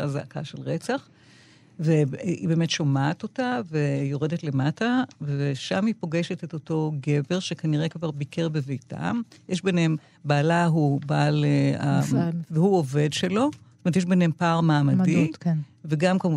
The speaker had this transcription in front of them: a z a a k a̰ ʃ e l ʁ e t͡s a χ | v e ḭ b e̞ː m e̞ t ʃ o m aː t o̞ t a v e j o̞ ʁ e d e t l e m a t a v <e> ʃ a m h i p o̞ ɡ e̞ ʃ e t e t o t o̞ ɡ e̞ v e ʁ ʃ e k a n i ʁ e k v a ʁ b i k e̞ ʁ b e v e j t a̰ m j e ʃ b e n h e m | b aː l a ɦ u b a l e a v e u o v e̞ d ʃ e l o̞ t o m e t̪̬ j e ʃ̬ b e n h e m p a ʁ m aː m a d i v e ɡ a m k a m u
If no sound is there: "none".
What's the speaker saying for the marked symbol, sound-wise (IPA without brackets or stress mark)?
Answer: e